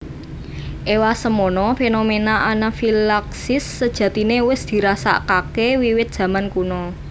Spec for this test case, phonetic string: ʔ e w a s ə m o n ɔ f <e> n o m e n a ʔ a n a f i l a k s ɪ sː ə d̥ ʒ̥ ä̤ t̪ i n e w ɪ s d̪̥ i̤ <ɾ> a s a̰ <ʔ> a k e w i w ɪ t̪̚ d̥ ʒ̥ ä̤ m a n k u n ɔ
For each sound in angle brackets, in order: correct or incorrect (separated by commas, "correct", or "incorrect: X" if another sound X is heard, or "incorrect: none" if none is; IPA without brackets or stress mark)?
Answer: correct, correct, incorrect: k